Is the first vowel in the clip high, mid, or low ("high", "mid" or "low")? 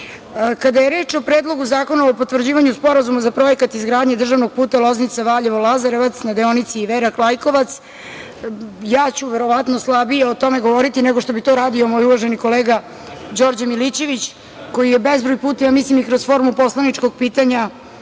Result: low